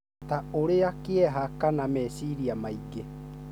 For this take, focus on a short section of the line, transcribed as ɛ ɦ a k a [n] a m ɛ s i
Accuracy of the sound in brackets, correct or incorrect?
correct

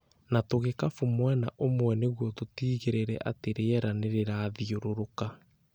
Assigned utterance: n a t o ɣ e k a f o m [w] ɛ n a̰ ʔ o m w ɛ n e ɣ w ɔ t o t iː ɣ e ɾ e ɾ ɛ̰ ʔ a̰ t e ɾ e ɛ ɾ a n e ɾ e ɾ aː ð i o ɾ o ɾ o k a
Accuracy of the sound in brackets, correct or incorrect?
correct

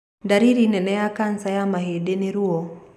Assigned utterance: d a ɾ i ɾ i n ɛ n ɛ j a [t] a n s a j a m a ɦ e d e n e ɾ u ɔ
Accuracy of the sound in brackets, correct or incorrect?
incorrect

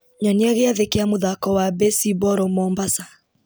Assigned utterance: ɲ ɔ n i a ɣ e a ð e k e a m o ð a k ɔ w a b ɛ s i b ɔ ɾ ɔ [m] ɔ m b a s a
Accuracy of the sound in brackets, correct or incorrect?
correct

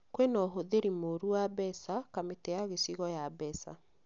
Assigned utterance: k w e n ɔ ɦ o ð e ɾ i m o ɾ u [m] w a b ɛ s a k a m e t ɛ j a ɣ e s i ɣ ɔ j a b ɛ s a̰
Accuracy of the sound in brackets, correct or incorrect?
incorrect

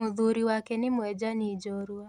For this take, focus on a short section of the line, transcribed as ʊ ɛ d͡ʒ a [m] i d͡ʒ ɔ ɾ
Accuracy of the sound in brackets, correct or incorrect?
incorrect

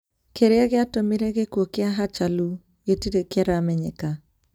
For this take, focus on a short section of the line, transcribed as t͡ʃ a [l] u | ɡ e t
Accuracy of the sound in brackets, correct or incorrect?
correct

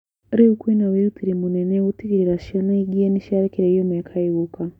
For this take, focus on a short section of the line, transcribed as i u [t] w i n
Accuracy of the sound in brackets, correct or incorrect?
incorrect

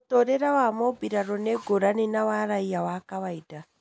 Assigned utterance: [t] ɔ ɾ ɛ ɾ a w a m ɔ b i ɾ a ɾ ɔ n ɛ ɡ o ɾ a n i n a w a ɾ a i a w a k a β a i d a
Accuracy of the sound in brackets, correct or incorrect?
correct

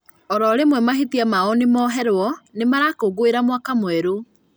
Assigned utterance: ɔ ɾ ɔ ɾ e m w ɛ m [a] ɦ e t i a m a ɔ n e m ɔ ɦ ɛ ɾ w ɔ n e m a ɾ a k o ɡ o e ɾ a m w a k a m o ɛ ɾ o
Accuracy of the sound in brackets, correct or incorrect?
correct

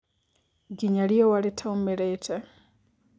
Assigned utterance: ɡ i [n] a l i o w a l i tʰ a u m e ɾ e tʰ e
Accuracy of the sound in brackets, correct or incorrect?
incorrect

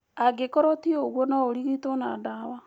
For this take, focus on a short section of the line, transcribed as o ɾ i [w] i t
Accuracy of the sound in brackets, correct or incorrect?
incorrect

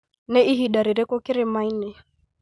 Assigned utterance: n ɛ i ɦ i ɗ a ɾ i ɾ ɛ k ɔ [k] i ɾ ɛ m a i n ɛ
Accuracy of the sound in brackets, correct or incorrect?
correct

